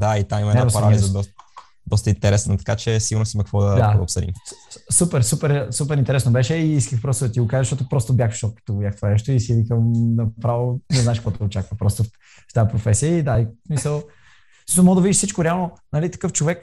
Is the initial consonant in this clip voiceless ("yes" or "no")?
no